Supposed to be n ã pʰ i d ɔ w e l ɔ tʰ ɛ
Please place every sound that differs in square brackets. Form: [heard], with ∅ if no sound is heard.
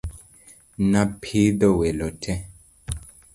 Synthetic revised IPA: n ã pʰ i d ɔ w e l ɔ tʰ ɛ